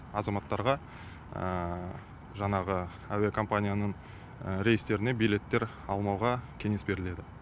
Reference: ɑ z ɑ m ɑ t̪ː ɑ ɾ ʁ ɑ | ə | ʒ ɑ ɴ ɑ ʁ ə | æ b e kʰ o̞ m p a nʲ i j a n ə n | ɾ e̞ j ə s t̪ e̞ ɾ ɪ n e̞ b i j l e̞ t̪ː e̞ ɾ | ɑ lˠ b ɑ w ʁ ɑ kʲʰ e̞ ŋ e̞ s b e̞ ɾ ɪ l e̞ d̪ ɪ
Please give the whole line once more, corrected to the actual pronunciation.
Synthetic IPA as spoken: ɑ z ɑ m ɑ t̪ː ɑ ɾ ʁ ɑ | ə | ʒ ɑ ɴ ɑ ʁ ə | æ w e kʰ o̞ m p a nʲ i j a n ə ɴ | ɾ e̞ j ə s t̪ e̞ ɾ ɪ n e̞ b i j l e̞ t̪ː e̞ ɾ | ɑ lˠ m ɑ w ʁ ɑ kʲʰ e̞ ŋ e̞ s b e̞ ɾ ɪ l e̞ d̪ ɪ